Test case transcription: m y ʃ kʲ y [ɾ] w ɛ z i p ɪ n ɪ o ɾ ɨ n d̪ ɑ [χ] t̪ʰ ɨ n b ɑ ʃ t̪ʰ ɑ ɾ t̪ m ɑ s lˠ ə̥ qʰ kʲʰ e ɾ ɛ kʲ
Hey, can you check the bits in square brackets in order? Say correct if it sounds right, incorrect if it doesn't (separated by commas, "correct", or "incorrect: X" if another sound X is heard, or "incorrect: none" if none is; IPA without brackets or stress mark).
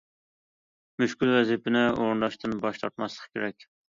incorrect: l, incorrect: ʃ